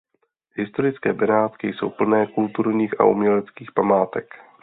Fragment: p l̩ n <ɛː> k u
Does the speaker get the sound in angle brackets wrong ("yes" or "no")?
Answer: no